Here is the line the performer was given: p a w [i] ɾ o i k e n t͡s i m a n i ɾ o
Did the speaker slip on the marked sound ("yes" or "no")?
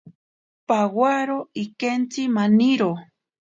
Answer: yes